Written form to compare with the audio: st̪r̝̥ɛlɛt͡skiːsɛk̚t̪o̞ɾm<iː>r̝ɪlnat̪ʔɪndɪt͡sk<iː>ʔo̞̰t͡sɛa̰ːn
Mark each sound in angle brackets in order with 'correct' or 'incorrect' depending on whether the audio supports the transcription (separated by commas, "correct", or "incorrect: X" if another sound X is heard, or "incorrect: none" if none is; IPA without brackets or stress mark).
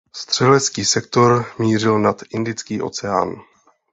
correct, correct